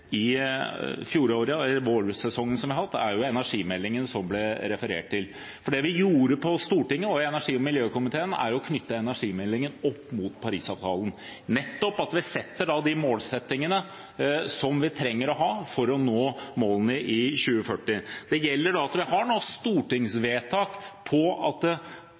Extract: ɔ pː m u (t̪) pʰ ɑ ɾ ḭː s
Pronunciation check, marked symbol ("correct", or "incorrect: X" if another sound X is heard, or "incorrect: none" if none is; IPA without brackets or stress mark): correct